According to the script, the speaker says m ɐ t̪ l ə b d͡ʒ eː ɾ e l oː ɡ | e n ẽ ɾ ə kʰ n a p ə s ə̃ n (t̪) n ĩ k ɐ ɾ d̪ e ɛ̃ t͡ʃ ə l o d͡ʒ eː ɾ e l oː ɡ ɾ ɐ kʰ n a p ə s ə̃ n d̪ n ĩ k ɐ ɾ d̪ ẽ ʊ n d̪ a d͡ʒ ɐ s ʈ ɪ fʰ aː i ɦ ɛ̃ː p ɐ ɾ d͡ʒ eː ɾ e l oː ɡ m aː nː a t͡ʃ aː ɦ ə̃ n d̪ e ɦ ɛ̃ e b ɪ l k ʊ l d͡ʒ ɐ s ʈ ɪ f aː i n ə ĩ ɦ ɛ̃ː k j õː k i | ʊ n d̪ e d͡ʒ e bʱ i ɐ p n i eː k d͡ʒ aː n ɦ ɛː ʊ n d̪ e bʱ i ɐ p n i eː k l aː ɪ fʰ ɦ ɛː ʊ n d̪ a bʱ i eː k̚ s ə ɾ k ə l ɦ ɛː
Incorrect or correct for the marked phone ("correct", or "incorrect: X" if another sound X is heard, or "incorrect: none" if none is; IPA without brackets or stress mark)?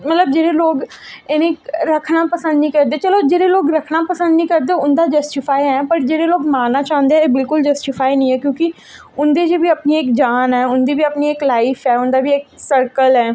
incorrect: d̪